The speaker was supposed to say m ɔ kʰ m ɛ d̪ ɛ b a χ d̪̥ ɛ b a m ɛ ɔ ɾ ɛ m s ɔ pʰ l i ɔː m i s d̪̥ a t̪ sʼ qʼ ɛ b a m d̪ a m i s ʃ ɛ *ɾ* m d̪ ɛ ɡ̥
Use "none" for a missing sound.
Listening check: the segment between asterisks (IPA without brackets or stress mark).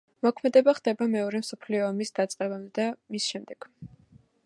none